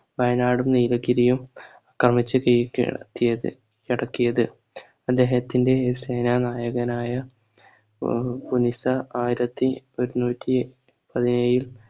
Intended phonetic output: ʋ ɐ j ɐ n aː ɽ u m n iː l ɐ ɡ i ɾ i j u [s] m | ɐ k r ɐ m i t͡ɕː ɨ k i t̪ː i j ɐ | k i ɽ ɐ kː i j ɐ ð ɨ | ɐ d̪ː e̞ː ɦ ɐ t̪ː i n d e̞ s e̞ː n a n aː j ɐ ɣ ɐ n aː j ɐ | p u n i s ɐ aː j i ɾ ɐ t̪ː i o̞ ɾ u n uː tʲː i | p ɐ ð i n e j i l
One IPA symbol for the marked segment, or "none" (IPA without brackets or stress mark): none